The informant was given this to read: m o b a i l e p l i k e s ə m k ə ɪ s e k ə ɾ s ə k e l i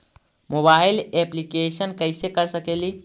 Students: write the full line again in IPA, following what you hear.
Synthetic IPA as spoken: m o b a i l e p l i k e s ə n k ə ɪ s e k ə ɾ s ə k e l i